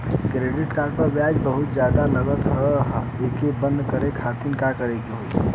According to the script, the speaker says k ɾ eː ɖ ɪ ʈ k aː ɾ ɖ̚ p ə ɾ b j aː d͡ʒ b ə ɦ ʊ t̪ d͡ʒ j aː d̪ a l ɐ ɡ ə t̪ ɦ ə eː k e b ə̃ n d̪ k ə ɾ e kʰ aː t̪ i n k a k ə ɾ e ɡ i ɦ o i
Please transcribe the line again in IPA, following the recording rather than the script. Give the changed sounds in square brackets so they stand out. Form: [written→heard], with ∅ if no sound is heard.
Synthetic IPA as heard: k ɾ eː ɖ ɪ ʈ k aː ɾ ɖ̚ p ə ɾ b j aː d͡ʒ b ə ɦ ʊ t̪ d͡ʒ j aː d̪ a l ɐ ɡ ə t̪ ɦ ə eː k e b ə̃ n d̪ k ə ɾ e kʰ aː t̪ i n k a k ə ɾ e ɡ i ɦ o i